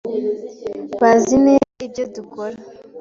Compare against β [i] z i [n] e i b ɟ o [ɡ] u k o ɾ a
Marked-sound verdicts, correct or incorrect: incorrect, correct, incorrect

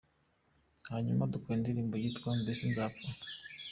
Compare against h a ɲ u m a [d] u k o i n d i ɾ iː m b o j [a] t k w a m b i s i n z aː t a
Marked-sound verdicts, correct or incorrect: correct, incorrect

